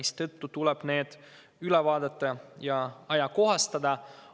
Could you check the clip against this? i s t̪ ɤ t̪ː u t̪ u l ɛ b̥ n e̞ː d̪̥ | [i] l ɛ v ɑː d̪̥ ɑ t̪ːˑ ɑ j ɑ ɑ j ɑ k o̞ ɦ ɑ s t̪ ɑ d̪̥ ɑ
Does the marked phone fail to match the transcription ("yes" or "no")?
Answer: yes